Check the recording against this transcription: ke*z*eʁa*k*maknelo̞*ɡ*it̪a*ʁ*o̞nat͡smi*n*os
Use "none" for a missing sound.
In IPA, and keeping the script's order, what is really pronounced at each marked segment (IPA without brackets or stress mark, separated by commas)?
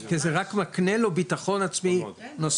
z, k, b, χ, n